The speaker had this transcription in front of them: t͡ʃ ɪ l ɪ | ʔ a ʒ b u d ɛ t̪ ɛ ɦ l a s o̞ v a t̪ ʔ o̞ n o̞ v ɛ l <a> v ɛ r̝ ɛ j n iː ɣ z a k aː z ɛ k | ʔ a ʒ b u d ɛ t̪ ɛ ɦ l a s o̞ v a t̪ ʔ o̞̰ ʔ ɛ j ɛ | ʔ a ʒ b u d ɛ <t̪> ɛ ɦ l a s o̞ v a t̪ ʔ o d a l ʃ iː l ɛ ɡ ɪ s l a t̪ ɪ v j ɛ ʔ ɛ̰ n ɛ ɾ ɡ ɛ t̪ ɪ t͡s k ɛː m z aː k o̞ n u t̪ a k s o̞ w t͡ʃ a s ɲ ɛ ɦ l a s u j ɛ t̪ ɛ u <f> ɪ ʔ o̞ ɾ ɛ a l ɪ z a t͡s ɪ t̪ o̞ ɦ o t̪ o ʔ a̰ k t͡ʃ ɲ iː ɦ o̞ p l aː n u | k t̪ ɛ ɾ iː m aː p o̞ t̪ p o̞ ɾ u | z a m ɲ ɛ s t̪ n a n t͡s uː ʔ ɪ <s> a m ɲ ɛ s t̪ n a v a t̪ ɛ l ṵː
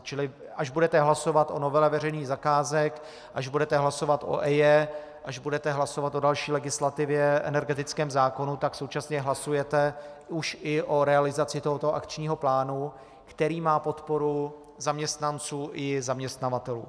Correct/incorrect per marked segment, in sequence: incorrect, correct, incorrect, incorrect

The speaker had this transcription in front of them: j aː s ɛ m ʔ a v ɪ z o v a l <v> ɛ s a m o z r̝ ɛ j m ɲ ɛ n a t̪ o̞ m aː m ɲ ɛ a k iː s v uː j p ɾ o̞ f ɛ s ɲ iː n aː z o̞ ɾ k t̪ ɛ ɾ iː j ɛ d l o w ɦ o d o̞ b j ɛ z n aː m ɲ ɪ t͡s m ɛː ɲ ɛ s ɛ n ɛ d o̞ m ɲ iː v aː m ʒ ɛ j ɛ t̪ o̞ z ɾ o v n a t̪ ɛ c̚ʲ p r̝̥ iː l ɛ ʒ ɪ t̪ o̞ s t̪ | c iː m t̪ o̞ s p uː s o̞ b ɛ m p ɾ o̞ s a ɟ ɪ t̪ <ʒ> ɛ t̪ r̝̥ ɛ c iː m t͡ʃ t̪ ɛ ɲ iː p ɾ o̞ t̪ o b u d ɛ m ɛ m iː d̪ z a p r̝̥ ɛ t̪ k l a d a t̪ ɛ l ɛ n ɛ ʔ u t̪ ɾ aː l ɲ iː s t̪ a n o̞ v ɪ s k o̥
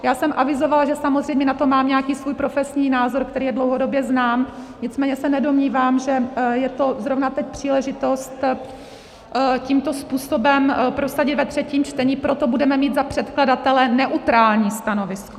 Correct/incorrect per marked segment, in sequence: incorrect, incorrect

